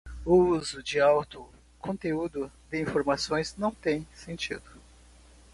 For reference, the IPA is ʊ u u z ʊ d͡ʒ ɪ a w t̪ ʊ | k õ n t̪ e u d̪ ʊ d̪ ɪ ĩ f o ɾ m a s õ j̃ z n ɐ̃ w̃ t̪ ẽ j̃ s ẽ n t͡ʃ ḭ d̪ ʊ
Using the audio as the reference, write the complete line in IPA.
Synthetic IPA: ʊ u u z ʊ d͡ʒ ɪ a w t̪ ʊ | k õ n t̪ e u d̪ ʊ d̪ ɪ ĩ f o ɾ m a s õ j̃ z n ɐ̃ w̃ t̪ ẽ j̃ s ẽ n t͡ʃ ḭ d̪ ʊ